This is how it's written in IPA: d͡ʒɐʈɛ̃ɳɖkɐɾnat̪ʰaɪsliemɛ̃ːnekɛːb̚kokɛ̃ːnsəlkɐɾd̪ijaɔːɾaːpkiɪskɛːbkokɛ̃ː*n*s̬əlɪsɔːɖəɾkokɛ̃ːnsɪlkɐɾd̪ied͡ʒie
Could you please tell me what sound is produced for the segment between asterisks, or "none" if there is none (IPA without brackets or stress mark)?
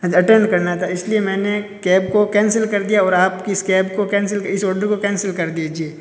n